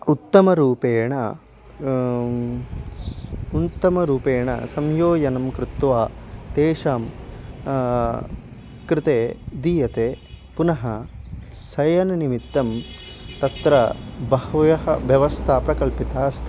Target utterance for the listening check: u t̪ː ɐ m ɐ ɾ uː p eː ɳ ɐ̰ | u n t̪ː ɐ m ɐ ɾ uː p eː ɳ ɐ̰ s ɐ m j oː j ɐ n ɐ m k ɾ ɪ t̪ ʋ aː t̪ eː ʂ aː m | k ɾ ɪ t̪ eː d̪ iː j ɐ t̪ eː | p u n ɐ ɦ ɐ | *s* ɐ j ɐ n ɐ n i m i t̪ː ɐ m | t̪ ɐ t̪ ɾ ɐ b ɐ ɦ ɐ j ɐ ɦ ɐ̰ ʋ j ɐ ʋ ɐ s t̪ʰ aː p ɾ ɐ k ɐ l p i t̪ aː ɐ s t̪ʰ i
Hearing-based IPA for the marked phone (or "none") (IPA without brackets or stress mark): s